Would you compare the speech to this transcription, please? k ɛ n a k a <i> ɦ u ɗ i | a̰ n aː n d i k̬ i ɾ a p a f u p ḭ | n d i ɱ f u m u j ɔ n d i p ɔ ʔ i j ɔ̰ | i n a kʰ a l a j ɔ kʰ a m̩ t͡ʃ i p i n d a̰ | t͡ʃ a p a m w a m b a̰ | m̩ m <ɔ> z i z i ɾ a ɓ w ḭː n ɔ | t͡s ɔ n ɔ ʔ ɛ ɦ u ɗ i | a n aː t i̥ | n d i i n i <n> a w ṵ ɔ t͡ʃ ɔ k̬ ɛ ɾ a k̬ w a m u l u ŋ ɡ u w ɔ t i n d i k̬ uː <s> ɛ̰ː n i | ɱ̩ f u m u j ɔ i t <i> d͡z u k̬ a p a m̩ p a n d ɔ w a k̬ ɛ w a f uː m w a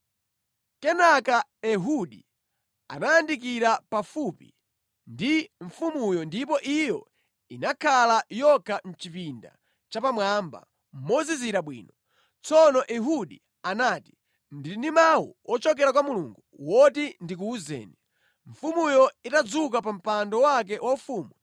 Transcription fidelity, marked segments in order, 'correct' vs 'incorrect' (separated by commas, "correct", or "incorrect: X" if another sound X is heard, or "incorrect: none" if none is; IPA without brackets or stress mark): incorrect: ɛ, correct, incorrect: m, incorrect: z, incorrect: a